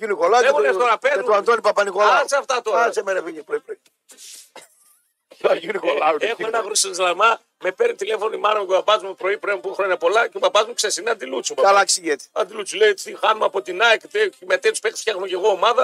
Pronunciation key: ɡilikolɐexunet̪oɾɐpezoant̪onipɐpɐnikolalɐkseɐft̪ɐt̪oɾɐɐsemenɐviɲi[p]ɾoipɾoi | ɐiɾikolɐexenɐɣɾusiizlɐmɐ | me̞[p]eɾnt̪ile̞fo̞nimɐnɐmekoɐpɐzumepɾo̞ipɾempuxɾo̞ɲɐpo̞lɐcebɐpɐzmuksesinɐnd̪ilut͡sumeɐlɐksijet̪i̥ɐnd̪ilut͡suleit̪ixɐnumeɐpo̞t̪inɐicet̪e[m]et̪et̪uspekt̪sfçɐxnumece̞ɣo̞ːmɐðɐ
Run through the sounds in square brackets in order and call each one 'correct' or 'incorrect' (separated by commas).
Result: correct, correct, correct